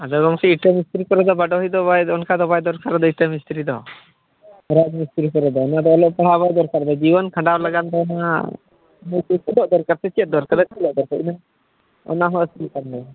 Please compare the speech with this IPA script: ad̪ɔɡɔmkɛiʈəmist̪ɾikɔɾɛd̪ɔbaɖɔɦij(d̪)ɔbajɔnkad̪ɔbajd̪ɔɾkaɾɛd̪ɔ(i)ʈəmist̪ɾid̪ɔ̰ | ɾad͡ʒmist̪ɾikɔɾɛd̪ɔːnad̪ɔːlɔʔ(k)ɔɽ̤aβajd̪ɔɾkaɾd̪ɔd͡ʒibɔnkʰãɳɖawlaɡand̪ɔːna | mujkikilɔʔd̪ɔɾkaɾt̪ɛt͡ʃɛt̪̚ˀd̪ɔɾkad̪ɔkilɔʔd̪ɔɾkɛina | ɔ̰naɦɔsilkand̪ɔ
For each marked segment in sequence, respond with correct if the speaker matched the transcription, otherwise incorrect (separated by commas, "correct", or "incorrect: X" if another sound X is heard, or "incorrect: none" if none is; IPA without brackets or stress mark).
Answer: correct, correct, incorrect: p